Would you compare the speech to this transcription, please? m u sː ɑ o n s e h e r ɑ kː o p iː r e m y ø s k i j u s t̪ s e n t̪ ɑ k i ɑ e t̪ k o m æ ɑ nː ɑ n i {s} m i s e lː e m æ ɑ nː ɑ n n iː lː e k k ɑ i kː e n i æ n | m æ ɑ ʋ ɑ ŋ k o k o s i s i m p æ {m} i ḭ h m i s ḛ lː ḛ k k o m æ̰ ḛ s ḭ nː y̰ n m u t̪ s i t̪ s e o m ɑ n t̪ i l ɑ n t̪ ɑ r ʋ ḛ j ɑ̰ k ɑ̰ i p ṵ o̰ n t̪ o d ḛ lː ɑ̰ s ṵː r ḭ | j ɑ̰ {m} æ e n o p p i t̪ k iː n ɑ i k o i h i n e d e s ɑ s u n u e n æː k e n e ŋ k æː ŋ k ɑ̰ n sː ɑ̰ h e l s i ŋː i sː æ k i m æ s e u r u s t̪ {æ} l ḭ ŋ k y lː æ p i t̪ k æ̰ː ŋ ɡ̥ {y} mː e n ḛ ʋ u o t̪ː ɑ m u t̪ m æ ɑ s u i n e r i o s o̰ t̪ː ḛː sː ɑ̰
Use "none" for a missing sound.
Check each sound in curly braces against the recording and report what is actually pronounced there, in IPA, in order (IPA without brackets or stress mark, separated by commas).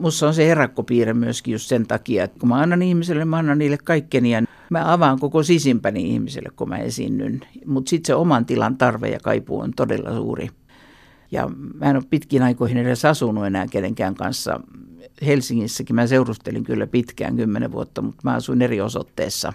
h, n, m, e, y